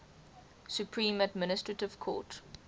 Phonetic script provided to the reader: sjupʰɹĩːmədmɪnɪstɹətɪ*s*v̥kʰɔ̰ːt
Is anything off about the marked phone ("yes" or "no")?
yes